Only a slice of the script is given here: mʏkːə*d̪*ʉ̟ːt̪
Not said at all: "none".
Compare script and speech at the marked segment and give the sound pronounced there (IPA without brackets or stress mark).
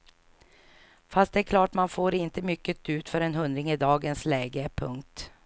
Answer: t̪